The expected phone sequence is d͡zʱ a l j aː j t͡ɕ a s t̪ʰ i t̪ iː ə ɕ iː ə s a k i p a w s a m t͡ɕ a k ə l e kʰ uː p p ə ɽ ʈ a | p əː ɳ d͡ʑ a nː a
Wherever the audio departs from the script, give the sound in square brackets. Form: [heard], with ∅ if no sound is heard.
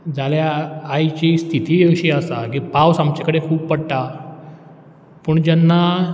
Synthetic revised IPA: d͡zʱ a l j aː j t͡ɕ [i] s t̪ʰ i t̪ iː ə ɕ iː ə s a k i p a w s a m t͡ɕ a k ə [ɽ] e kʰ uː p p ə ɽ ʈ a | p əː ɳ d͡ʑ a nː a